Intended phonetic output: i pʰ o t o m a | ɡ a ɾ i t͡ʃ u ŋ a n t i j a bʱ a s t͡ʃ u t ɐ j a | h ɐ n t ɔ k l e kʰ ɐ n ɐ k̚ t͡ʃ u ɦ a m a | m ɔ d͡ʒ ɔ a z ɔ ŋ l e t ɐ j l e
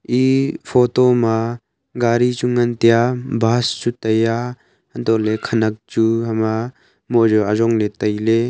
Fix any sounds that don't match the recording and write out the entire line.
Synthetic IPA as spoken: i pʰ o t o m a | ɡ a ɾ i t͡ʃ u ŋ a n t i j a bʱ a s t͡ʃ u t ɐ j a | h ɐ n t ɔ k l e kʰ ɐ n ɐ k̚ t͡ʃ u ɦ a m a | m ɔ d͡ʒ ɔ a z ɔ ŋ l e t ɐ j l e